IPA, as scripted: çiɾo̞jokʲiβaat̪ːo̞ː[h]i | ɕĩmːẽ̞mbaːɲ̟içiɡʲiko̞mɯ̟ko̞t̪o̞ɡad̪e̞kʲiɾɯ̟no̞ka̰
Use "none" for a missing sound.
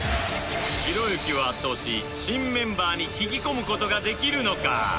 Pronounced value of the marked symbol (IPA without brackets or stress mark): ɕ